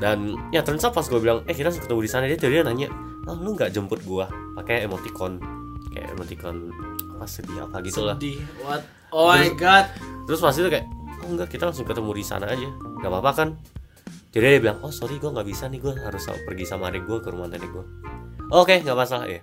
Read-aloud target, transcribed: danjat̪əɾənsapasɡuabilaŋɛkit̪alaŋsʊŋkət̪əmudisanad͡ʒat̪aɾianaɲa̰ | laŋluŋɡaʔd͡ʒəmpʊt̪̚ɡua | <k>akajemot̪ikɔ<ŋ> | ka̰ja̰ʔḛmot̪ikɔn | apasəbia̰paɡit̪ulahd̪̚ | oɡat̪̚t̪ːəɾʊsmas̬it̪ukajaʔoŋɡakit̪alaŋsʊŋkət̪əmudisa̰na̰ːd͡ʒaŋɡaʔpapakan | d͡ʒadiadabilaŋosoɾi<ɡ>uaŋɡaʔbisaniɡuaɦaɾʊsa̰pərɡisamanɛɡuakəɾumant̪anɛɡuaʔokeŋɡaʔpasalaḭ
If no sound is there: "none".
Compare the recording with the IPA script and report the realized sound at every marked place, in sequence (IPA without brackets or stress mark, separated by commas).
p, n, ɡ